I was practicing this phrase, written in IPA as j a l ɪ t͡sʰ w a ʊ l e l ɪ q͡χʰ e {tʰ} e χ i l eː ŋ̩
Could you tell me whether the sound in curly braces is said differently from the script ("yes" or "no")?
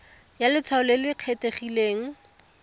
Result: yes